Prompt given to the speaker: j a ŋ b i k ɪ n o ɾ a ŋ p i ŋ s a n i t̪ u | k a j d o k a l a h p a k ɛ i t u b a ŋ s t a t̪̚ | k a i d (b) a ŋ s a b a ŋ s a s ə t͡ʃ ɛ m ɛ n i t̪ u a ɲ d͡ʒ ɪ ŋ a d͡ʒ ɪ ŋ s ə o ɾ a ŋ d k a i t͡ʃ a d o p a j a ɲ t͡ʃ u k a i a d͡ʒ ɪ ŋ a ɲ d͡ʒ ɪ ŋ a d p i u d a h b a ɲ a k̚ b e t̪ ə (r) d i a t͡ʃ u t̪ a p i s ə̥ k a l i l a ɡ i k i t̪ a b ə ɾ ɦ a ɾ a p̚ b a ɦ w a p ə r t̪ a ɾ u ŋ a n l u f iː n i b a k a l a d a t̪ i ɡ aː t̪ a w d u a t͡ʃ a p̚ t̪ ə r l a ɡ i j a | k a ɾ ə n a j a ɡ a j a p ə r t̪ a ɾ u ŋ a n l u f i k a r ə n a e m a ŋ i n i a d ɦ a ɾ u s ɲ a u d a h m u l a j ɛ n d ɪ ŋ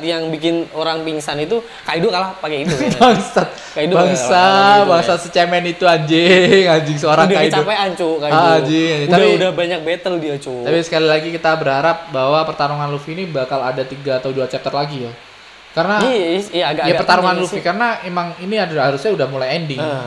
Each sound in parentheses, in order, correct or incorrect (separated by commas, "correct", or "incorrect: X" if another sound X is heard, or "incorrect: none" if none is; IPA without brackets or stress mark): correct, incorrect: l